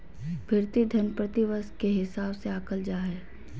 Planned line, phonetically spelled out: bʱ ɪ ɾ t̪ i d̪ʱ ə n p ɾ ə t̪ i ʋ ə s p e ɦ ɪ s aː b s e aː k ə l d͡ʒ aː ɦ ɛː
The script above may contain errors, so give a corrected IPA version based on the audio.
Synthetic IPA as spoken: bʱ ɪ ɾ t̪ i d̪ʱ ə n p ɾ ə t̪ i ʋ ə s k e ɦ ɪ s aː b s e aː k ə l d͡ʒ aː ɦ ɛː